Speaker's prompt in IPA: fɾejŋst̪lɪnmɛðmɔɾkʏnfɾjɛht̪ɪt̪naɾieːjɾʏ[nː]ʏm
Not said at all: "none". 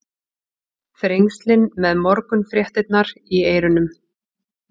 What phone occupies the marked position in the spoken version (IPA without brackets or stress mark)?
n